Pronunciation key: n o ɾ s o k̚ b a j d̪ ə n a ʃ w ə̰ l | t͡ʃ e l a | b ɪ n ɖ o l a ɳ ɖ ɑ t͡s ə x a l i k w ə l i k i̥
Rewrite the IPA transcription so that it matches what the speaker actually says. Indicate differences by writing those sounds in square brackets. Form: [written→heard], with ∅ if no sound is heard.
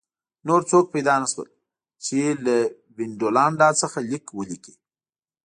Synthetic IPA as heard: n o ɾ [s→t͡s] o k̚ [b→p] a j d̪ [ə→ɑ] n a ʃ w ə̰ l | t͡ʃ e l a | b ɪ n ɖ o l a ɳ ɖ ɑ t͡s ə x a l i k w ə l i k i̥